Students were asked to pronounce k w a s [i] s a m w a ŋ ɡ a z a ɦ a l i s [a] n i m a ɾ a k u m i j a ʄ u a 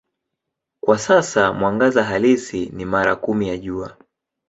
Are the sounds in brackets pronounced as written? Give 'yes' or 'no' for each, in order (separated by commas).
no, no